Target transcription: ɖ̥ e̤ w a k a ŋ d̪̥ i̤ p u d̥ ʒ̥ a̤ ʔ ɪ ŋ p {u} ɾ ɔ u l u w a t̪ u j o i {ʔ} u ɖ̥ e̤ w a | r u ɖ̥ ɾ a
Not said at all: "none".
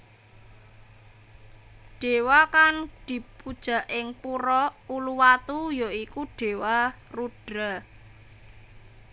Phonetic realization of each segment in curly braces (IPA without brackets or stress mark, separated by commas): u, k